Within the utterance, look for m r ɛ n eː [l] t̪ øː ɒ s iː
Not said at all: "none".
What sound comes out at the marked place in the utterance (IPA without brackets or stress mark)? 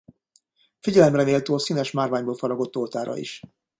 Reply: l